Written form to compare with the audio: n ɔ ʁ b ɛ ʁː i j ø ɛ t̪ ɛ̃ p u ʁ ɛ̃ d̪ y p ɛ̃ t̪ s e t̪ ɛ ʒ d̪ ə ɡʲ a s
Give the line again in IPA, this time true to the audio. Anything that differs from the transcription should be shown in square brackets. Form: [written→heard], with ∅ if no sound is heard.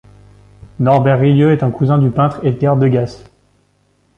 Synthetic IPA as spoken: n ɔ ʁ b ɛ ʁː i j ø ɛ t̪ ɛ̃ [p→k] u [ʁ→z] ɛ̃ d̪ y p ɛ̃ t̪ [s→χ] e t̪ ɛ [ʒ→ʁ] d̪ ə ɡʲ a s